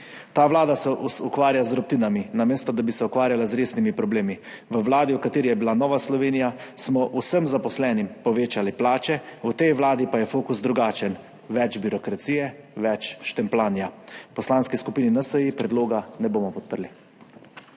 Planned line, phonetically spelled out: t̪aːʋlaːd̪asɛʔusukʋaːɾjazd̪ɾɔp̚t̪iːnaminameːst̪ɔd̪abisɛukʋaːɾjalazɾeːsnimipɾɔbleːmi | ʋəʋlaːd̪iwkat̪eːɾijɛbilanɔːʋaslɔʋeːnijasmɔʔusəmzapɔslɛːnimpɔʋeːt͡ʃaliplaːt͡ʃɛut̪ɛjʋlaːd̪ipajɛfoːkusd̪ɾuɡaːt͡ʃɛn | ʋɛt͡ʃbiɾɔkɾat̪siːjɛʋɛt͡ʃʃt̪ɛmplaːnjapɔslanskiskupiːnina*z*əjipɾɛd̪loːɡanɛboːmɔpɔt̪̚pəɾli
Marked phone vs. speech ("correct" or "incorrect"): incorrect